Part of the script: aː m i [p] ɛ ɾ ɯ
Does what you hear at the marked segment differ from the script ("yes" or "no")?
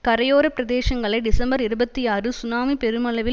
no